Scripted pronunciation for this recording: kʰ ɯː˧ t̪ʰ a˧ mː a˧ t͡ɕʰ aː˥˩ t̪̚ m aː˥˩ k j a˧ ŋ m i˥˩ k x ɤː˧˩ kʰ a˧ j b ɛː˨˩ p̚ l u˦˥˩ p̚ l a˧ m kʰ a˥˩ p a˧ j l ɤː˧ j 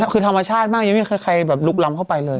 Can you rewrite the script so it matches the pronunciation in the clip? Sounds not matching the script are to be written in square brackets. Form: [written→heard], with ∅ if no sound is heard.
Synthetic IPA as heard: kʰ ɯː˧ t̪ʰ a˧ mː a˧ t͡ɕʰ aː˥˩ t̪̚ m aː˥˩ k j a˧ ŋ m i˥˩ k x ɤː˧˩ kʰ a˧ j b ɛː˨˩ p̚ l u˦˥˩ [p̚→k̚] l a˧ m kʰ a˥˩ p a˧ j l ɤː˧ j